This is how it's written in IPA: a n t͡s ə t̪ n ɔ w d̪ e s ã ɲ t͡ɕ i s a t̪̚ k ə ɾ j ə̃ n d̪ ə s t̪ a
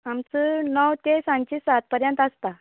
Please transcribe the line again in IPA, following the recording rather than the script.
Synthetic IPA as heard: a m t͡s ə n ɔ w t̪ e s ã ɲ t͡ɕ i s a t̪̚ p ə ɾ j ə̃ n t̪ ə s t̪ a